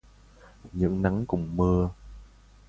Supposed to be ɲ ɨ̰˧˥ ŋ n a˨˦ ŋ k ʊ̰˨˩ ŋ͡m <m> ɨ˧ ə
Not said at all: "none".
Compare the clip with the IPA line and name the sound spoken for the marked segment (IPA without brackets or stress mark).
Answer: m